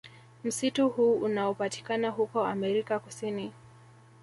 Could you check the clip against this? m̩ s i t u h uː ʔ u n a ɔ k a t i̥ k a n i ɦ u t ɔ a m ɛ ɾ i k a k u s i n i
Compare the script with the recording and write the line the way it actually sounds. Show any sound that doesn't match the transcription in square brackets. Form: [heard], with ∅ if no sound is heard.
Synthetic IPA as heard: m̩ s i t u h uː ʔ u n a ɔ [p] a t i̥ k a n [a] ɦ u [k] ɔ a m ɛ ɾ i k a k u s i n i